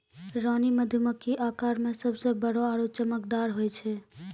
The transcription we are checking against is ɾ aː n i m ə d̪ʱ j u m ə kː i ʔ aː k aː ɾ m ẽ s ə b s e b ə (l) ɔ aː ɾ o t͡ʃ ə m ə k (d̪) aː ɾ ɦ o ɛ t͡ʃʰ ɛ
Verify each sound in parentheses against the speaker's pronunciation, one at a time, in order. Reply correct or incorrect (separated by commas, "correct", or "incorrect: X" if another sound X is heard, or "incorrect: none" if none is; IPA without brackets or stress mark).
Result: incorrect: ɽ, correct